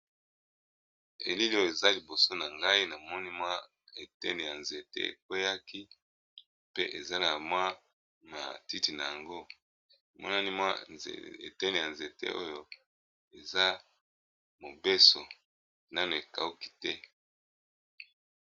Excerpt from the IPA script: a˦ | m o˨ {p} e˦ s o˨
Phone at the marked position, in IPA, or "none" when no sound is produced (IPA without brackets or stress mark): b